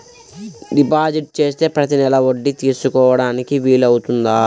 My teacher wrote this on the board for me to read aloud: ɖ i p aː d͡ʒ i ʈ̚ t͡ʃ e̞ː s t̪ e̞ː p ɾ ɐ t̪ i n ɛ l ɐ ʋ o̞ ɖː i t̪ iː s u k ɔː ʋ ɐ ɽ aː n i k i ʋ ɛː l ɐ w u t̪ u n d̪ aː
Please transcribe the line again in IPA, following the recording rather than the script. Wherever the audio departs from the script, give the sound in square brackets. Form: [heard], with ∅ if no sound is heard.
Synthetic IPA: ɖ i p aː d͡ʒ i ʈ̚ t͡ʃ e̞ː s t̪ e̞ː p ɾ ɐ t̪ i n ɛ l ɐ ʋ o̞ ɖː i t̪ iː s u k ɔː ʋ ɐ ɽ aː n i k i ʋ [iː] l ɐ w u t̪ u n d̪ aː